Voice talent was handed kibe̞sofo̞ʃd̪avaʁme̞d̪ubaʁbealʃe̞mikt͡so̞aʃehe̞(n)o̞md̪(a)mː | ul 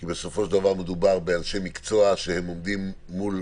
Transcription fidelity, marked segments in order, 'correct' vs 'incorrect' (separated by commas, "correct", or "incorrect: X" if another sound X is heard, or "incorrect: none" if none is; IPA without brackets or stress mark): incorrect: m, incorrect: i